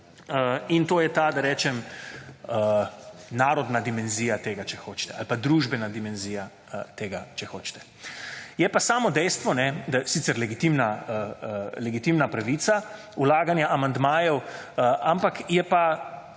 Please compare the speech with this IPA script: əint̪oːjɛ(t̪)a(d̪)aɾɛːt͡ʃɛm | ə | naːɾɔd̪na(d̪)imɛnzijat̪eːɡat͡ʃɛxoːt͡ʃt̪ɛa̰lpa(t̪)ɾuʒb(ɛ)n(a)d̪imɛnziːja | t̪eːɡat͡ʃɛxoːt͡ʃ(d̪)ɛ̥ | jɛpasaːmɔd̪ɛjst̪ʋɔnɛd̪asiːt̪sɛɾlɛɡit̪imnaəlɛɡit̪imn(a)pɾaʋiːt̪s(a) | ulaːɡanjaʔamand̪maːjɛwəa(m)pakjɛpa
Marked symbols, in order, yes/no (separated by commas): yes, yes, yes, no, yes, yes, no, yes, yes, yes